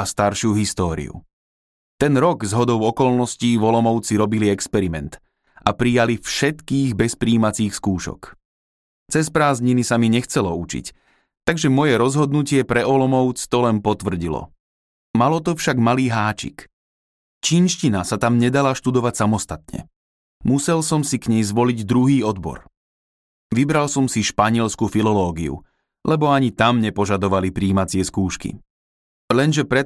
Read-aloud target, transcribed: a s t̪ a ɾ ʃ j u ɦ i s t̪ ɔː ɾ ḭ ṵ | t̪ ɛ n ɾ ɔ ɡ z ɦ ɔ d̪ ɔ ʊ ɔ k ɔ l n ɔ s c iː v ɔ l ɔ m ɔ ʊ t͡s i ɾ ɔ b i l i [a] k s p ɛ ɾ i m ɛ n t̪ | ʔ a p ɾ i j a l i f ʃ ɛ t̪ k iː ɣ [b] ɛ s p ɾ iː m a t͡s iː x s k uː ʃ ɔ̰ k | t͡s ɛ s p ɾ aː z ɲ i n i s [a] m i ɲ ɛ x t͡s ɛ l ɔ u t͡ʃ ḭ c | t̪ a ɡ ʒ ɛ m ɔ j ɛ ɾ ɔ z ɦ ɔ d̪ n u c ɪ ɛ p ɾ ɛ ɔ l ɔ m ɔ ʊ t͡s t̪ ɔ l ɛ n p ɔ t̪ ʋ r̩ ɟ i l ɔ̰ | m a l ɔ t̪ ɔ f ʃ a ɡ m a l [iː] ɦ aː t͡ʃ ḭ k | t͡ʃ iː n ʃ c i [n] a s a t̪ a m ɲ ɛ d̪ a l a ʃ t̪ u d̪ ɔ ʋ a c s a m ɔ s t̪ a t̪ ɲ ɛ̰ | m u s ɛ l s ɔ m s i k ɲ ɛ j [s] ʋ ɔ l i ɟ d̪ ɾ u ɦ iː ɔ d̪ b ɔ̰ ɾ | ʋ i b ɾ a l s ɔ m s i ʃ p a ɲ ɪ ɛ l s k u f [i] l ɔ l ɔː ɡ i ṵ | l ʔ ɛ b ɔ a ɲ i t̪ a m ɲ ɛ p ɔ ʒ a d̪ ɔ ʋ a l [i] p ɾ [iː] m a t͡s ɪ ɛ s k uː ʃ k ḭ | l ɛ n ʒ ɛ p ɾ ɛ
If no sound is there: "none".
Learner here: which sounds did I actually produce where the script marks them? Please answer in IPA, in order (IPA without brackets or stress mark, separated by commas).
ɛ, b, a, iː, n, z, i, i, iː